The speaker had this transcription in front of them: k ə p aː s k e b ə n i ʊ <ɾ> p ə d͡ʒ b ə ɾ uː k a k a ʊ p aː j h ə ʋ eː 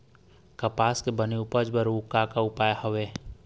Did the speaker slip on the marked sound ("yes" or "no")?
yes